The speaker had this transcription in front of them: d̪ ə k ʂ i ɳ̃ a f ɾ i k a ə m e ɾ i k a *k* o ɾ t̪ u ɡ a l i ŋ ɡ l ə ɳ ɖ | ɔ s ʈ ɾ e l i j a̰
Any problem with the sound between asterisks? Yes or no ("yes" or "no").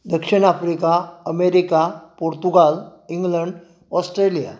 yes